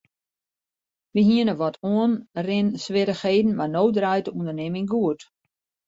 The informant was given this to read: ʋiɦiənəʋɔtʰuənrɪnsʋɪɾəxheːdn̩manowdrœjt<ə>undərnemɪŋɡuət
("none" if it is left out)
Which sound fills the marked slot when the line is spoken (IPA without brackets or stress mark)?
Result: ə